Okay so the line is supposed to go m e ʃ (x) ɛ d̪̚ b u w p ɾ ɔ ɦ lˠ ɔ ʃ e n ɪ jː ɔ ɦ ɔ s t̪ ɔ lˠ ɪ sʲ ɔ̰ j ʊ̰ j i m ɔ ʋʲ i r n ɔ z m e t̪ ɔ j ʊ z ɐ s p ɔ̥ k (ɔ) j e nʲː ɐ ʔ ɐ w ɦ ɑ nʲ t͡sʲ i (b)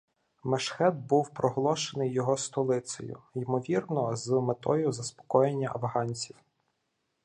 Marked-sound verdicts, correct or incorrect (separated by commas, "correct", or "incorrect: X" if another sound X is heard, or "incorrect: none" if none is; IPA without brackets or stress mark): correct, correct, incorrect: w